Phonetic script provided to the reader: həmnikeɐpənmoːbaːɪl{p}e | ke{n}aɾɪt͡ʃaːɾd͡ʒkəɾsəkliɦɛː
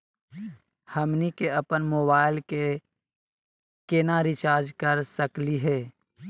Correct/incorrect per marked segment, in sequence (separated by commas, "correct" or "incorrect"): incorrect, correct